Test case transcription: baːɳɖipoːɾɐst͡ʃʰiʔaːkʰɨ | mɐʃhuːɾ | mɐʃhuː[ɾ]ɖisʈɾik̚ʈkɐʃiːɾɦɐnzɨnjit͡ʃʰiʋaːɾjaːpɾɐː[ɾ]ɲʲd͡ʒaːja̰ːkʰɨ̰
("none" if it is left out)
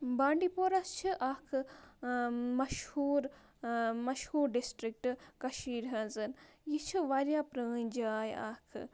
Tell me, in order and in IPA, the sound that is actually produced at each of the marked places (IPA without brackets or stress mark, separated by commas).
ɾ, none